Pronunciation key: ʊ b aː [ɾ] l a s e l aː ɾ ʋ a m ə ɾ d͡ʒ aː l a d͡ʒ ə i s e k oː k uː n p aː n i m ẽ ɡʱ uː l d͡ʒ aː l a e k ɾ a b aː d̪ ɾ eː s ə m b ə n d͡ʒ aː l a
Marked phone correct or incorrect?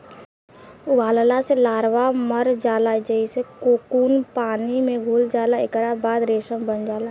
incorrect